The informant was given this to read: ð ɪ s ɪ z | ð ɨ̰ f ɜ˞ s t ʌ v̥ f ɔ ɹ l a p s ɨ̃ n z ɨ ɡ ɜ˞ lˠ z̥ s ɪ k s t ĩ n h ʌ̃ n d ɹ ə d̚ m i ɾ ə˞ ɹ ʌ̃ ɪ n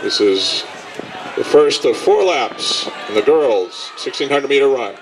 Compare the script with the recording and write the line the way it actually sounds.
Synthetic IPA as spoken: ð ɪ s ɪ z | ð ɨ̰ f ɜ˞ s t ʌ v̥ f ɔ ɹ l æ p s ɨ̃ n ð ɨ ɡ ɜ˞ lˠ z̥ s ɪ k s t ĩ n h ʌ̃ n d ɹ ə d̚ m i ɾ ə˞ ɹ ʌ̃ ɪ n